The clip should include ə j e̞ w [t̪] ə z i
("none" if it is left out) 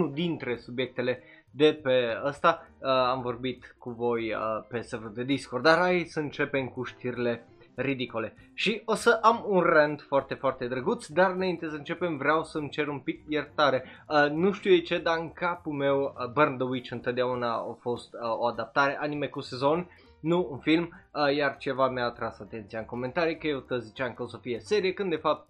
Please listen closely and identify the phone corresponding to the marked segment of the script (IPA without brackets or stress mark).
t̪